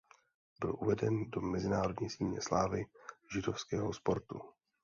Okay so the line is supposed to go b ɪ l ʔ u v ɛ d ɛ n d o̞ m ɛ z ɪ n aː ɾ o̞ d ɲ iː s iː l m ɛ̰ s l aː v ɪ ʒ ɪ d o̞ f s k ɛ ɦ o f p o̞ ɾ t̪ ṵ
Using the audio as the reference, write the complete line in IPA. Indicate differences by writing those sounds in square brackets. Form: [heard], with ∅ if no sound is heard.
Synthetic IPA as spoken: b ɪ l ʔ u v ɛ d ɛ n d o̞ m ɛ z ɪ n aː ɾ o̞ d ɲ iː s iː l [ɲ] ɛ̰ s l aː v ɪ ʒ ɪ d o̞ f s k [ɛː] ɦ o [s] p o̞ ɾ t̪ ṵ